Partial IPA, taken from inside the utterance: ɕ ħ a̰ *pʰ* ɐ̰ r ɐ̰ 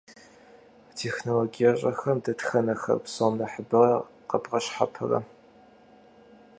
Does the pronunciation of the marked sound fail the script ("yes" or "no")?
no